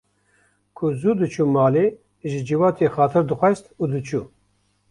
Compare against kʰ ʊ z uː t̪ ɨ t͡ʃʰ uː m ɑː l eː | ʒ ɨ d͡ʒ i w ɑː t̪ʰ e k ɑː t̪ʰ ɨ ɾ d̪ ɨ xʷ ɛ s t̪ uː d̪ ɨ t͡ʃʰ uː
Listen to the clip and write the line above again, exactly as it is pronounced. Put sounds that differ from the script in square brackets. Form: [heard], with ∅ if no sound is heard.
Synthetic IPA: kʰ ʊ z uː [d̪] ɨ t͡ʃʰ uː m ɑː l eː | ʒ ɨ d͡ʒ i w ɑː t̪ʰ e [x] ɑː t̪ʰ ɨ ɾ d̪ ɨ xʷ ɛ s t̪ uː d̪ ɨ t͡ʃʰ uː